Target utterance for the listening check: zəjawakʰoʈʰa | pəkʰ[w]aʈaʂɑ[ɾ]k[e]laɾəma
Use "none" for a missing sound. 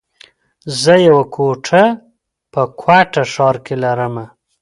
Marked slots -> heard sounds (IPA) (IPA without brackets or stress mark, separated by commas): w, ɾ, e